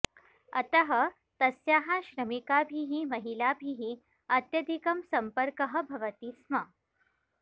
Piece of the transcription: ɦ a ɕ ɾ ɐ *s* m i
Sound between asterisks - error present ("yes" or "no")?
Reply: yes